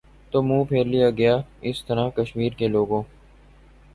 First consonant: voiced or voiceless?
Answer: voiceless